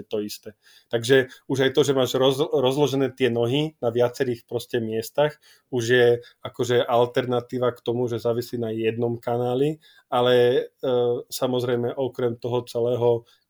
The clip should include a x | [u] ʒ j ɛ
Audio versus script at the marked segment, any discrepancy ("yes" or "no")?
no